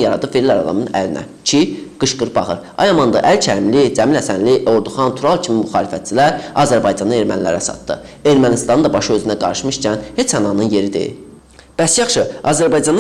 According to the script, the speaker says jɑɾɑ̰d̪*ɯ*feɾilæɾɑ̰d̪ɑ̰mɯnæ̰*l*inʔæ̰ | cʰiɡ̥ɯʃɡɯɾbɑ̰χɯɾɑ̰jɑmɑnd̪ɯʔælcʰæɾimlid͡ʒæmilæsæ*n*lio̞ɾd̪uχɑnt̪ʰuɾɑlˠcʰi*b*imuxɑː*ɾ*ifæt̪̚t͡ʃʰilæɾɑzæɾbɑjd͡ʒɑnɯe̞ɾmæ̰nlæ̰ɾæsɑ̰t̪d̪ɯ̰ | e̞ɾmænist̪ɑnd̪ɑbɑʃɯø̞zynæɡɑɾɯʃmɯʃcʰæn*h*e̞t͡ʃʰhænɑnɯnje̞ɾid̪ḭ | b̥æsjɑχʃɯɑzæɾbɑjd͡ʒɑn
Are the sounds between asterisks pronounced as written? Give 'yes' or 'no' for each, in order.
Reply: yes, yes, yes, no, no, yes

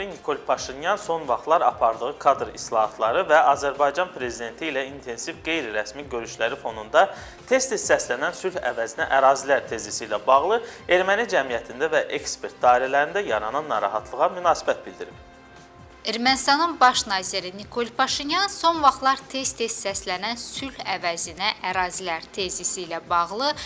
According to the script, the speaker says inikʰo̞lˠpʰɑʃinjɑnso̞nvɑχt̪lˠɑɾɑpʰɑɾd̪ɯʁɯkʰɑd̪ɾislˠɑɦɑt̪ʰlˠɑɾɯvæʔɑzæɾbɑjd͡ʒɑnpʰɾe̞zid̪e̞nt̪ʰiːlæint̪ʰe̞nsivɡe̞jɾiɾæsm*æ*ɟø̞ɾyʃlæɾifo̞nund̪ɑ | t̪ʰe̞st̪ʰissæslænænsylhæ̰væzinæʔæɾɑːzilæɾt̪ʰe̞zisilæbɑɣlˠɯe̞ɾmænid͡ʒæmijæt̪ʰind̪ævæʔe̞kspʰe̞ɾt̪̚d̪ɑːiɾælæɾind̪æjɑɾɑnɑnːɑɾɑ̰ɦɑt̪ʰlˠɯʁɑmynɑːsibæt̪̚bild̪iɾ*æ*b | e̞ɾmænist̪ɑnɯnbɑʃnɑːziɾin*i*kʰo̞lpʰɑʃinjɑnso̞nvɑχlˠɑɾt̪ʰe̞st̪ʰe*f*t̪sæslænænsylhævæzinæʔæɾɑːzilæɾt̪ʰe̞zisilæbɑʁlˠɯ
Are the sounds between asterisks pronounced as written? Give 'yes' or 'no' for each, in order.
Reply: no, no, yes, no

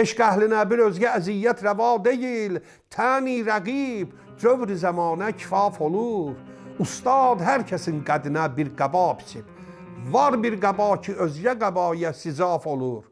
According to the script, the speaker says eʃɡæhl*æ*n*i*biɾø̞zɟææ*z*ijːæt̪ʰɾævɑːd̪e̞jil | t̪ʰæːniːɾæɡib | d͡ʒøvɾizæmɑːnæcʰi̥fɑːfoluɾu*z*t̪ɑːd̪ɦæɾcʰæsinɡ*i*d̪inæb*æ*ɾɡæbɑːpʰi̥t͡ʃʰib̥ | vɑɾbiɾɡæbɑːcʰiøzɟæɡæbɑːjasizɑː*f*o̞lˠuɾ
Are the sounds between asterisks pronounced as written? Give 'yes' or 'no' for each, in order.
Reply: no, no, yes, no, no, no, yes

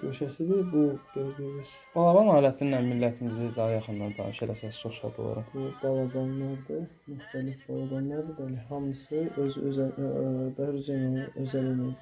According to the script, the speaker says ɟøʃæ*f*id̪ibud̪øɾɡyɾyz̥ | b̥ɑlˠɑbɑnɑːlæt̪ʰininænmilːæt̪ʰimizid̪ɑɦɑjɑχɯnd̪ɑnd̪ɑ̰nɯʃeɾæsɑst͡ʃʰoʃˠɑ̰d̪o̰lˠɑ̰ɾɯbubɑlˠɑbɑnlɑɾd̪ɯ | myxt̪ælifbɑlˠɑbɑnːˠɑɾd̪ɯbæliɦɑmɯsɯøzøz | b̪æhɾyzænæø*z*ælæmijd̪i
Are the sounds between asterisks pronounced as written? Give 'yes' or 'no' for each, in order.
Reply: no, yes

